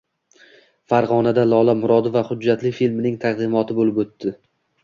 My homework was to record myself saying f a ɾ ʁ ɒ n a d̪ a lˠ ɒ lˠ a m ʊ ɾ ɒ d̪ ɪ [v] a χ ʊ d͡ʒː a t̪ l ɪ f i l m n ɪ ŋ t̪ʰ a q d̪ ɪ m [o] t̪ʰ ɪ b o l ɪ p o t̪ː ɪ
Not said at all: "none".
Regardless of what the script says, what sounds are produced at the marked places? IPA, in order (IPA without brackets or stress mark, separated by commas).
v, ɒ